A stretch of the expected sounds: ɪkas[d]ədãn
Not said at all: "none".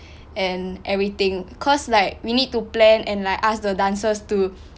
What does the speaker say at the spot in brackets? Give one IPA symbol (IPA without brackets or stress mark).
d